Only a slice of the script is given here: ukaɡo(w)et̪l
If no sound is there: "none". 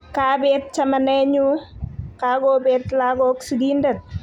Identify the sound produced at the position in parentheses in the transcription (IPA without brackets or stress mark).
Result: b